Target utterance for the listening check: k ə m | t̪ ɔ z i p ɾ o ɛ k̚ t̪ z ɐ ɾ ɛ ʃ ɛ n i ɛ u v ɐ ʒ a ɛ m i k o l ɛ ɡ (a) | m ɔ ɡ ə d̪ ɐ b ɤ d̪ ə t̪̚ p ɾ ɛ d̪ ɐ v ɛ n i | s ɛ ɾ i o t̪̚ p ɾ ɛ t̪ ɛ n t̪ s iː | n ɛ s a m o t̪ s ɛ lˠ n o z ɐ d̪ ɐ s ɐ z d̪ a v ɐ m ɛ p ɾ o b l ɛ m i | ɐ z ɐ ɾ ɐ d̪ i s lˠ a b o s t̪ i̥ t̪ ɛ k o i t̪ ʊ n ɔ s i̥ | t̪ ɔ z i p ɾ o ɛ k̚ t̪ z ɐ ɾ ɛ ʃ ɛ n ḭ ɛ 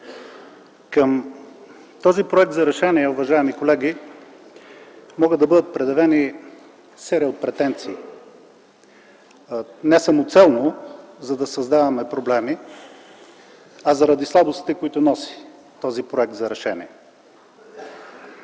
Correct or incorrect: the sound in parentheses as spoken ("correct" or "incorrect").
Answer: incorrect